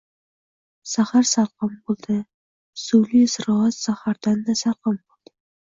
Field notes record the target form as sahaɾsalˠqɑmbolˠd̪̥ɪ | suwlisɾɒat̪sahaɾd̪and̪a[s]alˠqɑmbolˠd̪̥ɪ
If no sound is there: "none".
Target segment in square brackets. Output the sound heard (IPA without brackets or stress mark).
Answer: s